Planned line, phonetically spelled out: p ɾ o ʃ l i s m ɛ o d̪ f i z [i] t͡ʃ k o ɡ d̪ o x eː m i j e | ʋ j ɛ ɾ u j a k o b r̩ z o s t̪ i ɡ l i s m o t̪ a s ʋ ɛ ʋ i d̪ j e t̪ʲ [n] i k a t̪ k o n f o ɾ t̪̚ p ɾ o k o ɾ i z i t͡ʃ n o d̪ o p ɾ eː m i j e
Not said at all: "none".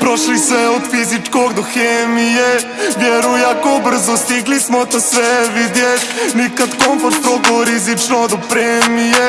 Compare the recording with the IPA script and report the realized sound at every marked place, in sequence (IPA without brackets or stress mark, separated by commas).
i, n